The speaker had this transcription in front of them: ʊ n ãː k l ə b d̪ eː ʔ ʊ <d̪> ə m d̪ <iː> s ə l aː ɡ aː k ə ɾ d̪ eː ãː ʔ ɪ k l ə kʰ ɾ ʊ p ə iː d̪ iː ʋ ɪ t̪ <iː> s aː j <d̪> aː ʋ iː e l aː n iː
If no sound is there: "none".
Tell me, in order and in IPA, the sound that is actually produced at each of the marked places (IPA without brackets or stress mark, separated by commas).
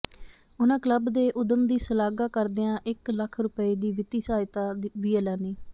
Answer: d̪, iː, iː, t̪